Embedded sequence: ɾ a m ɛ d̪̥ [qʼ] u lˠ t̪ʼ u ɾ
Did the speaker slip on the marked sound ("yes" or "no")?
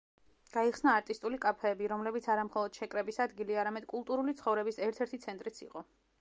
yes